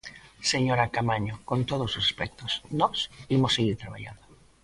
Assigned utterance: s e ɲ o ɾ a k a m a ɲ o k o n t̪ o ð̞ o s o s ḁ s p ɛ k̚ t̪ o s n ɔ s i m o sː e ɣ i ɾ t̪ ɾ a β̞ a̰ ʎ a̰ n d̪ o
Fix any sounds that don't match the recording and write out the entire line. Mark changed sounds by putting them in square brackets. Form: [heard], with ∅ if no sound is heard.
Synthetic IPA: s e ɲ o ɾ a k a m a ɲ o k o n t̪ o ð̞ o s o s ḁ s p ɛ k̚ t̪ o s n ɔ s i m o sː e ɣ i ɾ t̪ ɾ a β̞ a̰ ʎ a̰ n d̪ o